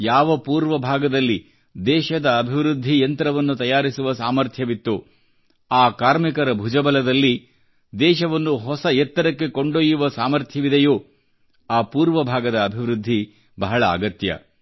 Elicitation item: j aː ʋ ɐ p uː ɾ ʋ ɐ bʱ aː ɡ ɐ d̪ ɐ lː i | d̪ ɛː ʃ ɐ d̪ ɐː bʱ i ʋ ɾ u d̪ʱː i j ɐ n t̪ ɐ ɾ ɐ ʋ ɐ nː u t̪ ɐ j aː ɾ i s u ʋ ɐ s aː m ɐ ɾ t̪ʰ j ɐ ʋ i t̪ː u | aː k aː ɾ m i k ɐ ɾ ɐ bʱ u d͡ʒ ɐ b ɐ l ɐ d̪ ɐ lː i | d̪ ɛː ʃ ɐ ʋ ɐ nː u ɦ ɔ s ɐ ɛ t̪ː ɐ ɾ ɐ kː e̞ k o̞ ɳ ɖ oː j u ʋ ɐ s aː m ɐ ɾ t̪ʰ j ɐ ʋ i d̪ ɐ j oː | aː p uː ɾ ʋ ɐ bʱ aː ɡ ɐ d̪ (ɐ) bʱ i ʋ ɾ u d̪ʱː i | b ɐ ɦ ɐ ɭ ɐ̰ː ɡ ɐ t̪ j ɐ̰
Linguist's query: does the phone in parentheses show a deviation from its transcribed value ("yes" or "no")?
yes